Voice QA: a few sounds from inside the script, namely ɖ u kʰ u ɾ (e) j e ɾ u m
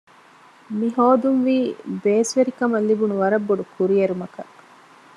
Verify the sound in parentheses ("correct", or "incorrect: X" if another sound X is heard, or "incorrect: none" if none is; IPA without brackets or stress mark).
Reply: incorrect: i